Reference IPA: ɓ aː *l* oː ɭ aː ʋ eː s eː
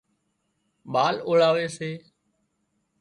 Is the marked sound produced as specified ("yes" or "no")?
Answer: yes